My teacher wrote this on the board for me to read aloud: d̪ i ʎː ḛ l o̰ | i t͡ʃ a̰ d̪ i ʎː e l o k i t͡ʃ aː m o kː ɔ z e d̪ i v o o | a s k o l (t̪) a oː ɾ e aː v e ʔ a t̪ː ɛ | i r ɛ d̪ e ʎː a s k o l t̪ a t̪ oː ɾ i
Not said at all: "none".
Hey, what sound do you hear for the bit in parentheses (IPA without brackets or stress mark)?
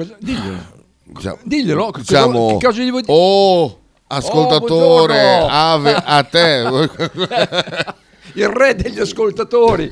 t̪